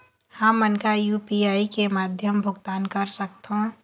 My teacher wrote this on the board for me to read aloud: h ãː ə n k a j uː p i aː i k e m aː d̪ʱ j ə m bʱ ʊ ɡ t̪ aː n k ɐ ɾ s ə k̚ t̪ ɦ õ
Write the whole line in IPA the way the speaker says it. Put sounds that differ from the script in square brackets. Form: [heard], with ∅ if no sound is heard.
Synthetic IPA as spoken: h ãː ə n k a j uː p i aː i k e m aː d̪ʱ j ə m bʱ ʊ ɡ t̪ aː n k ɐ ɾ s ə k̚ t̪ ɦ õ